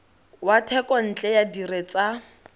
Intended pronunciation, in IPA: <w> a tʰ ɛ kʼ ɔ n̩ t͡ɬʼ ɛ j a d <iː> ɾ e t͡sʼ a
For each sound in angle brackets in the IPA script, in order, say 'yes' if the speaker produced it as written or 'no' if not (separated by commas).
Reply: yes, no